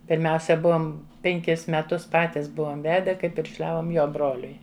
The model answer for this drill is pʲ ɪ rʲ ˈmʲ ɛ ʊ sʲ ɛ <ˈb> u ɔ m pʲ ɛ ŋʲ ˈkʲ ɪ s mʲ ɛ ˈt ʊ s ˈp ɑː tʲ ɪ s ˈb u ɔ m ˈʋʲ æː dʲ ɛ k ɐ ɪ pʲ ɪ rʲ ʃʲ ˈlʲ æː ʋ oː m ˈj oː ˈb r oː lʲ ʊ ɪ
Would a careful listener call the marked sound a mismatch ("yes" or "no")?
no